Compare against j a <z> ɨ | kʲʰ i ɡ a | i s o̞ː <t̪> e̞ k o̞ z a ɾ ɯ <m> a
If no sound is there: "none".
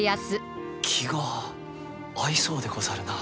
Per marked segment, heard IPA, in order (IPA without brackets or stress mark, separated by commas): s, d̪, n